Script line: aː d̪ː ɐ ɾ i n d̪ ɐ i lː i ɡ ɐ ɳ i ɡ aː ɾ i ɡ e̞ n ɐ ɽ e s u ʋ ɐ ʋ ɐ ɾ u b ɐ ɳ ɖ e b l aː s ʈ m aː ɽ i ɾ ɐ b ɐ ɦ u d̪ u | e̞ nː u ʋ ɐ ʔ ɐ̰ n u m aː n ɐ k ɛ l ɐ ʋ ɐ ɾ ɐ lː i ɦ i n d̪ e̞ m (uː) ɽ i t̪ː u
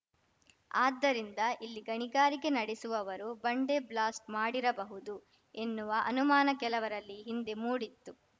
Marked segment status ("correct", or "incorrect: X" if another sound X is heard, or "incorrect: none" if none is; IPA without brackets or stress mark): correct